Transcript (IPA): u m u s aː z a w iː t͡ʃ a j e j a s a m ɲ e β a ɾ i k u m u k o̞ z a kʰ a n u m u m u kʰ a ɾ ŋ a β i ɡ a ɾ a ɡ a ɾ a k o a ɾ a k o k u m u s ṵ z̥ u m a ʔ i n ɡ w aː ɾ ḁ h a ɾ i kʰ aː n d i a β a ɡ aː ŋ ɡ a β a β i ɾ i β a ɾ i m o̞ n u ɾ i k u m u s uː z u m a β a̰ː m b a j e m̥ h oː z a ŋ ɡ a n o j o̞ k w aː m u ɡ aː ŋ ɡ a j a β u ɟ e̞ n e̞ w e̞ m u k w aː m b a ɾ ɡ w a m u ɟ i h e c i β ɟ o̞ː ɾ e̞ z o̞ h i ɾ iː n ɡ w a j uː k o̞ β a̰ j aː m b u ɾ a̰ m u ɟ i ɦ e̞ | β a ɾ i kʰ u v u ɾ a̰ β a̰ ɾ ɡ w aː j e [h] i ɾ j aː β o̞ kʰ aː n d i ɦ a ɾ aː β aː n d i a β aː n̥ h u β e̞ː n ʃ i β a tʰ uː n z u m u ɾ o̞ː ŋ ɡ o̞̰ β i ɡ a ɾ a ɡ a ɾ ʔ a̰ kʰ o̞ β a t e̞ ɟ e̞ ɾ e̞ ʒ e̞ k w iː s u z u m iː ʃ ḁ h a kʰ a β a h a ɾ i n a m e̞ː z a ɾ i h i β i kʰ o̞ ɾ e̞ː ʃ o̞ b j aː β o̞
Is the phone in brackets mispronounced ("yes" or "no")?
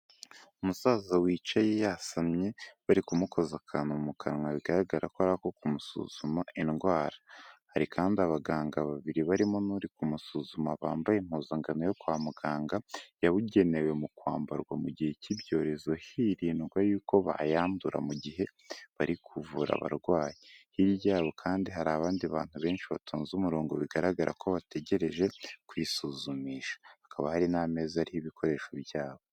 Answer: no